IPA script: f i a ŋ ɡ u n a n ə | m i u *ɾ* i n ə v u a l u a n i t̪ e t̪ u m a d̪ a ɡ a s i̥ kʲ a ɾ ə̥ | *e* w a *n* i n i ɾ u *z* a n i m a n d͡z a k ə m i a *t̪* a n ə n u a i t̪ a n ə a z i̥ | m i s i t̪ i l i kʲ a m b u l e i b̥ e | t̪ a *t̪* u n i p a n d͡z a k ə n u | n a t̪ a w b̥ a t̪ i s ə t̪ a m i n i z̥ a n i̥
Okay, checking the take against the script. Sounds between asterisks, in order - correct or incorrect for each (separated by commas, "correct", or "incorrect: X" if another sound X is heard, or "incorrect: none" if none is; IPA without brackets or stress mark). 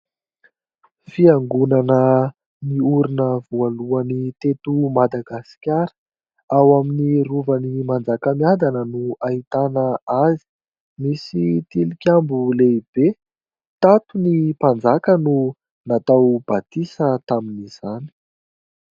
correct, incorrect: a, incorrect: m, incorrect: v, incorrect: d̪, correct